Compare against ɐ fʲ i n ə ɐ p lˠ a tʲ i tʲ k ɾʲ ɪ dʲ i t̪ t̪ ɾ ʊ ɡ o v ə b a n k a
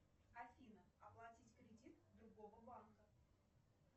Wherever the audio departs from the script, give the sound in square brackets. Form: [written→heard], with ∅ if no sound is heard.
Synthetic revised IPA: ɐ fʲ i n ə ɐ p lˠ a tʲ i tʲ k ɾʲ ɪ dʲ i t̪ [t̪→d̪] ɾ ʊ ɡ o v ə b a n k [a→ə]

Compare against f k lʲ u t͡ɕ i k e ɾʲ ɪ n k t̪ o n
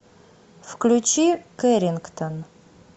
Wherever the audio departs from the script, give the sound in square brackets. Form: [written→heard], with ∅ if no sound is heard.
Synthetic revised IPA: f k lʲ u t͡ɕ i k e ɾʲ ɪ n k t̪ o n

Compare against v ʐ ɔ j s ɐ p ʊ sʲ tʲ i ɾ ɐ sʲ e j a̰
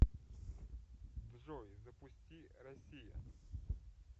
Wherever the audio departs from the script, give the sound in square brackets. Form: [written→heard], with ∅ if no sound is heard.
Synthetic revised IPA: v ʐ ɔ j [s→z] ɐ p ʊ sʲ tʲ i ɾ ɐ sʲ [e→i] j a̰

